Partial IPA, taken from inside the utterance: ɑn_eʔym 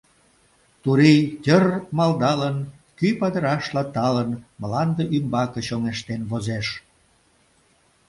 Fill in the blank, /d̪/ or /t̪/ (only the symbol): d̪